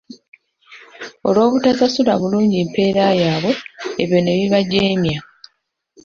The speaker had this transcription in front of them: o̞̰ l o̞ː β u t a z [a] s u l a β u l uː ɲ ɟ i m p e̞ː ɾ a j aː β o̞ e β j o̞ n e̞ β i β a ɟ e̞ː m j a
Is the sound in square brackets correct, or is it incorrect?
correct